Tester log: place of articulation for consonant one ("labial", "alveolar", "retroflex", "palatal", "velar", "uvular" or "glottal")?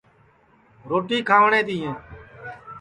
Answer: alveolar